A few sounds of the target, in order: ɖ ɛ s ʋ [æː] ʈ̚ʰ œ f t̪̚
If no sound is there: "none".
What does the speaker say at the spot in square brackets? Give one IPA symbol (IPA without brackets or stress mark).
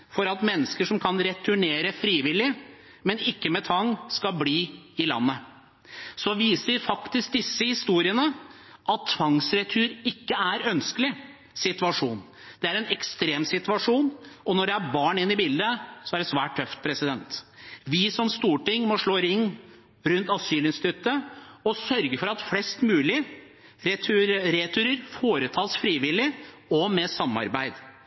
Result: æː